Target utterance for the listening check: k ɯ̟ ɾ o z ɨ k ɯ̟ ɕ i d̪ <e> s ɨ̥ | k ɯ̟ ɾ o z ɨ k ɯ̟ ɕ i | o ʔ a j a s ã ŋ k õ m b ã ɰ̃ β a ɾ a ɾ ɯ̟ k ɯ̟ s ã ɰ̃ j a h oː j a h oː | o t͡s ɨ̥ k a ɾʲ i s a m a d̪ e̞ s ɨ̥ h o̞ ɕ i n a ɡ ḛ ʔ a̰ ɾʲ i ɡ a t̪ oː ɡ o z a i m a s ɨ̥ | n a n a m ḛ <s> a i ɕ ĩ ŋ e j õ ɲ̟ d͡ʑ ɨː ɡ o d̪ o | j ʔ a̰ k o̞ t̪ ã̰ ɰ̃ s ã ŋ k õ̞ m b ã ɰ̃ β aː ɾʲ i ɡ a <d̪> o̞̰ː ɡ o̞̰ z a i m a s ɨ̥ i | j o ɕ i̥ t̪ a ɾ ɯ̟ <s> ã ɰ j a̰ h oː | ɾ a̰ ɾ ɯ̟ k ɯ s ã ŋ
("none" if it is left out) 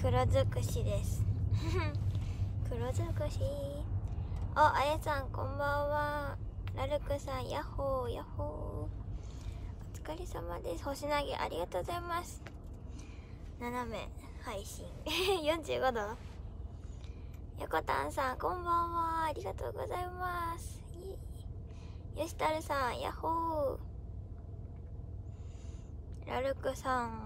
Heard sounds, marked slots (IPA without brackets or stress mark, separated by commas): e, h, t̪, s